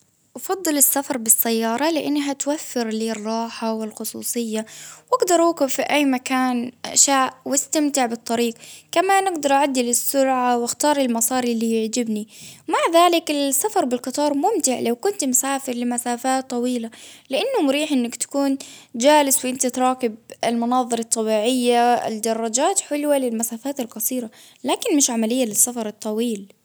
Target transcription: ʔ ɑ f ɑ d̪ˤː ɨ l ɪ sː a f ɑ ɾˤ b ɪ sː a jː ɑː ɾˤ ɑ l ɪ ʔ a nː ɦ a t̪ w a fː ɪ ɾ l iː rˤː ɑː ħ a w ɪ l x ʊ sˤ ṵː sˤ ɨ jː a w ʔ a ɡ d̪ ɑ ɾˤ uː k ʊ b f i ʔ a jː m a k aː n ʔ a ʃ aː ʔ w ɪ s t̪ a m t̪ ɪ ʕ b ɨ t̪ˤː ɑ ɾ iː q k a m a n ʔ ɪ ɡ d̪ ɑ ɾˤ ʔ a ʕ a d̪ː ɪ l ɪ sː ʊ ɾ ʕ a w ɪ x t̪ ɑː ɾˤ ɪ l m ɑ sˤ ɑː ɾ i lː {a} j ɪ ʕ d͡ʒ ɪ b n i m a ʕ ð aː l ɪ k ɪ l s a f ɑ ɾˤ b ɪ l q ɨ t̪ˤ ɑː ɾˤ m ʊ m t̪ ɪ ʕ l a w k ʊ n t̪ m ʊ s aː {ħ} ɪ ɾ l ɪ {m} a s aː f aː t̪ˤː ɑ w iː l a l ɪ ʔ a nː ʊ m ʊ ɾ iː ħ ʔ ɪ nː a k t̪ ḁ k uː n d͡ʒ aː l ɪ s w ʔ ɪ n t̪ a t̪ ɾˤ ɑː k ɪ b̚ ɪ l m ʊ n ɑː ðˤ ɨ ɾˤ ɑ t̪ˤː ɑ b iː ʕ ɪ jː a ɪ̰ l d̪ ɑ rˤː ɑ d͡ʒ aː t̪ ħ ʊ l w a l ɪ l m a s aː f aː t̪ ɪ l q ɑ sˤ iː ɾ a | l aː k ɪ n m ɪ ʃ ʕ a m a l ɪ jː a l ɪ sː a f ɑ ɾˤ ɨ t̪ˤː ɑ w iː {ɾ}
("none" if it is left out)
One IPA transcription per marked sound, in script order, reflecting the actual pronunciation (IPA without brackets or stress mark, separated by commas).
i, f, m, l